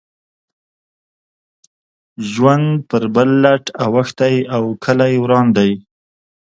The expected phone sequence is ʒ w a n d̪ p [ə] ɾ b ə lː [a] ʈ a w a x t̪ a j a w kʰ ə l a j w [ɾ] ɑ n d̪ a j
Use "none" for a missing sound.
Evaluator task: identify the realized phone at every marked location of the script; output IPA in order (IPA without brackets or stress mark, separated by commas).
ə, a, ɾ